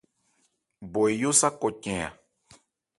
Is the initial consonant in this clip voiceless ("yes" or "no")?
no